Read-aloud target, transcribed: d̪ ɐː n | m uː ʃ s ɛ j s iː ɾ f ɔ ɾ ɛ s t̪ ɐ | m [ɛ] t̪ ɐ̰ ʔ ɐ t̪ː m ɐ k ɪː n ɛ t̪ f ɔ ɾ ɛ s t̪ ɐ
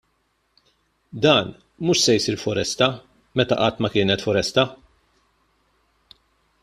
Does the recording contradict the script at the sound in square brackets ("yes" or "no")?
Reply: no